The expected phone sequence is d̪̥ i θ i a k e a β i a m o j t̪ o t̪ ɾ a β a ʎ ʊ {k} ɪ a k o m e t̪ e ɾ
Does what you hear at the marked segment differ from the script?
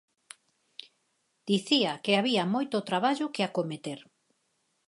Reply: no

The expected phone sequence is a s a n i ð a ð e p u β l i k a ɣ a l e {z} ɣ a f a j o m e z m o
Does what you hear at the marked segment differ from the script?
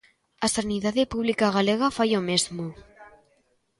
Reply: yes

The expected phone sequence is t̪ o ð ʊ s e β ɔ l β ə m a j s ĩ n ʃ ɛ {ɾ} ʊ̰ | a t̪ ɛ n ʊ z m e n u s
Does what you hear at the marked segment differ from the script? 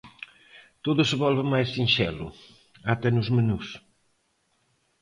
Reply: yes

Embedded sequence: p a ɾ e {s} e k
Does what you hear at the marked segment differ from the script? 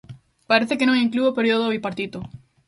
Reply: yes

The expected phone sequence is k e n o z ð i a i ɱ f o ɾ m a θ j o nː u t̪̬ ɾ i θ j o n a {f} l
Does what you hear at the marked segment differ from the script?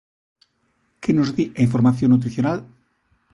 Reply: yes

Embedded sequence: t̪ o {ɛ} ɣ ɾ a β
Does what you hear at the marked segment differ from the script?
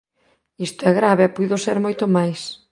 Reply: no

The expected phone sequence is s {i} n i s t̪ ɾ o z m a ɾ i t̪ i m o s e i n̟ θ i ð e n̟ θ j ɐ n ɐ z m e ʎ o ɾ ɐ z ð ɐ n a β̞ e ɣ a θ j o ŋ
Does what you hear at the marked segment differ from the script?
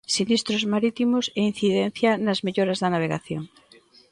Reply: no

